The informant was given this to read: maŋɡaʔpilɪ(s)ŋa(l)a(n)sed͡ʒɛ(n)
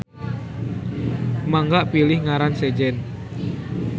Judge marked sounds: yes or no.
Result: no, no, yes, yes

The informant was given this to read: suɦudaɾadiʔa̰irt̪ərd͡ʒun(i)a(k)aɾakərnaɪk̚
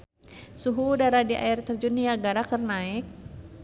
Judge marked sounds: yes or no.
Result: yes, no

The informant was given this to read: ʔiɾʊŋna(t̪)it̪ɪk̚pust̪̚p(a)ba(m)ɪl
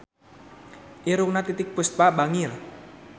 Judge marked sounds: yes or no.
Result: yes, yes, no

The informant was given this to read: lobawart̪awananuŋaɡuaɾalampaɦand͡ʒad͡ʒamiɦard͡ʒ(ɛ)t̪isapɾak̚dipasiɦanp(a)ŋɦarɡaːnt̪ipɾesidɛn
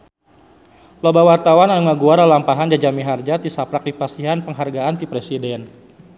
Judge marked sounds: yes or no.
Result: no, no

